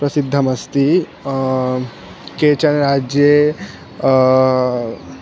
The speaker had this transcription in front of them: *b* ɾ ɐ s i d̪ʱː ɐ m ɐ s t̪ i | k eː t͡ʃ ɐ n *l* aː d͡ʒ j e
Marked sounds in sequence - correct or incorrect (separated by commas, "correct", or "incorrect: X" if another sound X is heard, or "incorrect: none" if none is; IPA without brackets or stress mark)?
incorrect: p, incorrect: ɾ